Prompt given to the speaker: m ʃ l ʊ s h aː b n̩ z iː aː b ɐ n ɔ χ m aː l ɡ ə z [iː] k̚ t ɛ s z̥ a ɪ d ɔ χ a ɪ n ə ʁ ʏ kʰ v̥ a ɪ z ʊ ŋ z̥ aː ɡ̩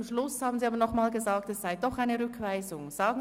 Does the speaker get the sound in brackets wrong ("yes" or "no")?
yes